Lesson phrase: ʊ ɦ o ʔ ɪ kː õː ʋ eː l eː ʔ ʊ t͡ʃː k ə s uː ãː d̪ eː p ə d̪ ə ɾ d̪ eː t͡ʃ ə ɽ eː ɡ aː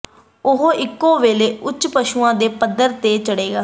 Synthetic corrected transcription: ʊ ɦ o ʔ ɪ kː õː ʋ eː l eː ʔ ʊ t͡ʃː p ə ʃ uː ãː d̪ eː p ə d̪ ə ɾ t̪ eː t͡ʃ ə ɽ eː ɡ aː